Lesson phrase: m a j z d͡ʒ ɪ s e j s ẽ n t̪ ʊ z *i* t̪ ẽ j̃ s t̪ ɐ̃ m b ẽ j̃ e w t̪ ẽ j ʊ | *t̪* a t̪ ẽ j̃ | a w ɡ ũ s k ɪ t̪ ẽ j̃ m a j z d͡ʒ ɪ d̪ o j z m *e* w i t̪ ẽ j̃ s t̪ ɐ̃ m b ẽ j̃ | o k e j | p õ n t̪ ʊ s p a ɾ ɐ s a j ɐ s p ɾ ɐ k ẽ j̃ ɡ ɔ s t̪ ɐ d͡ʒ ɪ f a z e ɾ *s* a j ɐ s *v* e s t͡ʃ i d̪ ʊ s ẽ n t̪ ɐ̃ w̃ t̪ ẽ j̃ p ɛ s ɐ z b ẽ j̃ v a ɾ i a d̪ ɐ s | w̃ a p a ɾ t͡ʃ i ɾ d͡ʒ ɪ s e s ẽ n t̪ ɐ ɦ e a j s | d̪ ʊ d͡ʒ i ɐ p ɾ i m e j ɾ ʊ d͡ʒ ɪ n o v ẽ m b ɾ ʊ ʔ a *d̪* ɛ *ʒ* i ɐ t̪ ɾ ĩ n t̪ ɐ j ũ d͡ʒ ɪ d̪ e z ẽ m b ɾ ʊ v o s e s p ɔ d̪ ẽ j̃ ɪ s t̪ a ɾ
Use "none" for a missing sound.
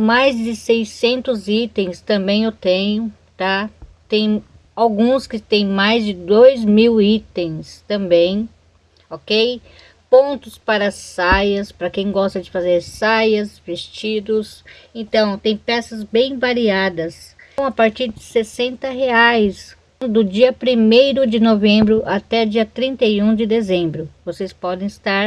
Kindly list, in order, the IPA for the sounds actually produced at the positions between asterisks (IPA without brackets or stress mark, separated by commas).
i, t̪, i, s, v, t̪, d͡ʒ